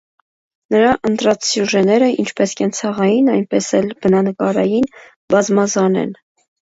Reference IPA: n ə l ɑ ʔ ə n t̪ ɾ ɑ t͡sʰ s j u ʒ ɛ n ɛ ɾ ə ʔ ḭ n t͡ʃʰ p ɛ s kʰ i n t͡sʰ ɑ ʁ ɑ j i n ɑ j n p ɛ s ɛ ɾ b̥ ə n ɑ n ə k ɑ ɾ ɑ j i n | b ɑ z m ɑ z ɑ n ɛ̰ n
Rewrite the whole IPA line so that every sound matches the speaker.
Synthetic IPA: n ə ɾ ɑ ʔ ə n t̪ ɾ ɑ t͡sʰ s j u ʒ ɛ n ɛ ɾ ə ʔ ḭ n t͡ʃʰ p ɛ s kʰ ɛ n t͡sʰ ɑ ʁ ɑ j i n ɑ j n p ɛ s ɛ l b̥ ə n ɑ n ə k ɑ ɾ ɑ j i n | b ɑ z m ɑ z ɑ n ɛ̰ n